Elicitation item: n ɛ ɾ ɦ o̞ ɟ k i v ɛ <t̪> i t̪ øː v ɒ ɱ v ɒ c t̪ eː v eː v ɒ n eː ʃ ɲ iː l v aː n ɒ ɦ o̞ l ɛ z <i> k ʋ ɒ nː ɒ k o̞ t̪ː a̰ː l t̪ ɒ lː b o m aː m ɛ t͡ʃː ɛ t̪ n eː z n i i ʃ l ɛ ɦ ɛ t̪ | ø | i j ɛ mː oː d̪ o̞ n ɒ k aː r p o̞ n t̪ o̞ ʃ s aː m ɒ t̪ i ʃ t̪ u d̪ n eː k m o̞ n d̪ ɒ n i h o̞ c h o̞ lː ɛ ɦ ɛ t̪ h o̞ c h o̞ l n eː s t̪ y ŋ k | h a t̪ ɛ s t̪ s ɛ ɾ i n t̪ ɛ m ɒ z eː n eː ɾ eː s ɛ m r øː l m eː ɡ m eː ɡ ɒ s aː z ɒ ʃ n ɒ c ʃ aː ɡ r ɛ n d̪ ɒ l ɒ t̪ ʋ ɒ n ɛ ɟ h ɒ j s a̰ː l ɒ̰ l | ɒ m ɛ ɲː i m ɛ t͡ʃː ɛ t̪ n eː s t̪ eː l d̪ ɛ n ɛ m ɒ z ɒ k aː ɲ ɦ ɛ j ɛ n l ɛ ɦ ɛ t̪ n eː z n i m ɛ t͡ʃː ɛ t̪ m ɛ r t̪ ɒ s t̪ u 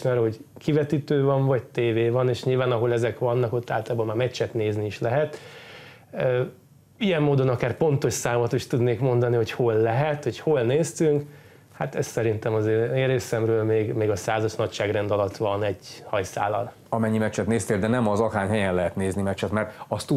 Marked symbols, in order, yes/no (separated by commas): yes, no